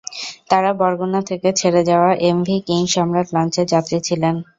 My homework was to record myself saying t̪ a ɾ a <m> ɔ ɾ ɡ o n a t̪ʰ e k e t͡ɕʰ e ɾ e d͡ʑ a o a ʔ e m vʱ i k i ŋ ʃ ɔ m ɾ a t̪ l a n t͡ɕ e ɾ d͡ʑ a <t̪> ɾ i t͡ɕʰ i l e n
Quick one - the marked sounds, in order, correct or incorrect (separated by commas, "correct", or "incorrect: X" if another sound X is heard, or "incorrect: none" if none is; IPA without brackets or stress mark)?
incorrect: b, correct